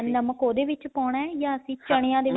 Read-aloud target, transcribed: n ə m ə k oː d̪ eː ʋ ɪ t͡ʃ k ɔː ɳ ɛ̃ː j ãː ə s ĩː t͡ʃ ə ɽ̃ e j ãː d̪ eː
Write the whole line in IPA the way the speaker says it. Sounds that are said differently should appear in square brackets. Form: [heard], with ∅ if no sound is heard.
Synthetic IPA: n ə m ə k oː d̪ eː ʋ ɪ t͡ʃ [p] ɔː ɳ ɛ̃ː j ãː ə s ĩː t͡ʃ ə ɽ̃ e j ãː d̪ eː